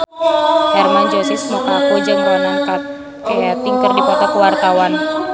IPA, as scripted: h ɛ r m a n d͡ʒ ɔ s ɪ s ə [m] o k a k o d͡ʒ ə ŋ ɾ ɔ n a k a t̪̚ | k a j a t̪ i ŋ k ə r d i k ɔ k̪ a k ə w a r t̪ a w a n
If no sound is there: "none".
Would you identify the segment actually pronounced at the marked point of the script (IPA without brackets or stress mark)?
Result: m